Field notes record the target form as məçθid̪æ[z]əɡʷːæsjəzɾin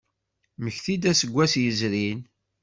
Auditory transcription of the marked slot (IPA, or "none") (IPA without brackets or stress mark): s